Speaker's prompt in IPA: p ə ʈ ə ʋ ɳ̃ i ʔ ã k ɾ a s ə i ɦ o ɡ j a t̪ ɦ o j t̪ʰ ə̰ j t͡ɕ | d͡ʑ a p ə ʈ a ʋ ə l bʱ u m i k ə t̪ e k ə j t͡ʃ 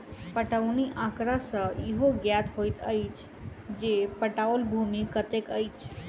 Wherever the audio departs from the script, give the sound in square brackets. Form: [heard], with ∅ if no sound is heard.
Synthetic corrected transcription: p ə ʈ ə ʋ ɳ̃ i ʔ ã k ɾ a s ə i ɦ o ɡ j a t̪ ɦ o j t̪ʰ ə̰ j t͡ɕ | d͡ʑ [e] p ə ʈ a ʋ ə l bʱ u m i k ə t̪ e k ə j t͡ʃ